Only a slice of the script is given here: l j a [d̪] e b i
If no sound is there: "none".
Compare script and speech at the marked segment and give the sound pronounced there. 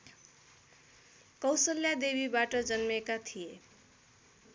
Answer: d̪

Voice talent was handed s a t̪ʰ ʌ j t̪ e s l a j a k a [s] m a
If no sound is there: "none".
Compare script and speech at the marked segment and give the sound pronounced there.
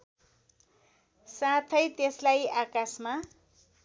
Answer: s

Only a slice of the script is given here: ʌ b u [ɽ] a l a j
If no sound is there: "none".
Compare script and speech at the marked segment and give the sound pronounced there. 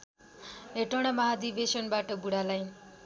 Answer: ɽ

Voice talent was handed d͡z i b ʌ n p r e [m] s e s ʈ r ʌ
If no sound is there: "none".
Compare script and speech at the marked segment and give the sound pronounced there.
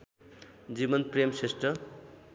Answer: m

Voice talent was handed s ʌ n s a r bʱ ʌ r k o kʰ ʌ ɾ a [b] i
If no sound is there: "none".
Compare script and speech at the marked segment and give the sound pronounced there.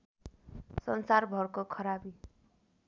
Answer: b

